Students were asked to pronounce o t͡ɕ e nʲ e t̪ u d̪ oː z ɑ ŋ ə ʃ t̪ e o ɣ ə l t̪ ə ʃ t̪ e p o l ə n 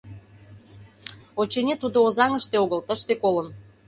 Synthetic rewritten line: o t͡ɕ e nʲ e t̪ u d̪ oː z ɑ ŋ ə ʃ t̪ e o ɣ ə l t̪ ə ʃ t̪ e k o l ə n